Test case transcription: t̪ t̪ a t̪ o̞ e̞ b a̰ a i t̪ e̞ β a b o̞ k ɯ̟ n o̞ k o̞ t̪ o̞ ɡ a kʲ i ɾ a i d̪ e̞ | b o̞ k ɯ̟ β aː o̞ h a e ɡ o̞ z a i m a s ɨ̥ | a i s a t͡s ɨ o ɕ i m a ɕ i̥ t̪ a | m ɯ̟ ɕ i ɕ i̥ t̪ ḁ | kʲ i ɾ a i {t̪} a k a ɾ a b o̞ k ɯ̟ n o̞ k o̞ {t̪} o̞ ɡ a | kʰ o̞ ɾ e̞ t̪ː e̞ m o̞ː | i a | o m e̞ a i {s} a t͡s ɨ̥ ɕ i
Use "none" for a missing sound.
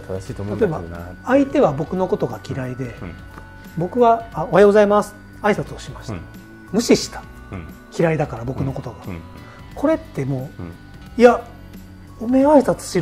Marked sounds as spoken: d̪, t̪, s

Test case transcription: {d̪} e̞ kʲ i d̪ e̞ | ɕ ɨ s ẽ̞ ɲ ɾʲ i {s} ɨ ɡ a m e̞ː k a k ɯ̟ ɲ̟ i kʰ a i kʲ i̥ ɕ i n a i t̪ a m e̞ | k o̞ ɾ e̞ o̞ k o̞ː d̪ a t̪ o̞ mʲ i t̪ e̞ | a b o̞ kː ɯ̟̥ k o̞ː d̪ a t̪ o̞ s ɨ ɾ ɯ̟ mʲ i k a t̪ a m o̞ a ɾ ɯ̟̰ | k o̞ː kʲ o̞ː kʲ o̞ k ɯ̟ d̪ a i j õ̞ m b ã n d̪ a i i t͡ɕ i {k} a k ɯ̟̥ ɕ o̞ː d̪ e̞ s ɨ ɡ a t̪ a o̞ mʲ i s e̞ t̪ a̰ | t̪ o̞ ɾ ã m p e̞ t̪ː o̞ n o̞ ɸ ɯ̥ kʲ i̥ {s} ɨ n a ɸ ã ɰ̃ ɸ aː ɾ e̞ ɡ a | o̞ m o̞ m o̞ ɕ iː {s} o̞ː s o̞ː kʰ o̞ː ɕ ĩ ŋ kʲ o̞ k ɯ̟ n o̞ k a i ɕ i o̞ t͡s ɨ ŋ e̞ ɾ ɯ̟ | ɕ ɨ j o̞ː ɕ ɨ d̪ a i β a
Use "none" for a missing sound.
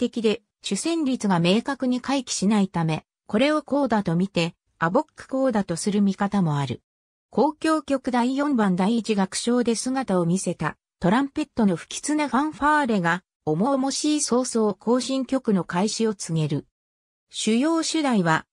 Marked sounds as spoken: t̪, t͡s, ɡ, t͡s, s

